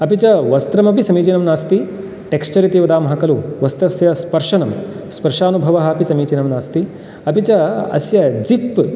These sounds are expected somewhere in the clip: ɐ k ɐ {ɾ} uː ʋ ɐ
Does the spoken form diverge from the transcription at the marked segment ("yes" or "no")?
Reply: yes